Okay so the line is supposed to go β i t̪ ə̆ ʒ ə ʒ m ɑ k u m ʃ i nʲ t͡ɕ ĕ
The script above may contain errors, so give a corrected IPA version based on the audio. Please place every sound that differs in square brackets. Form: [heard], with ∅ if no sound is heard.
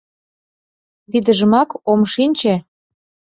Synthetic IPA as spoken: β i [d̪] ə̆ ʒ ə [∅] m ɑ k [o] m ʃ i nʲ t͡ɕ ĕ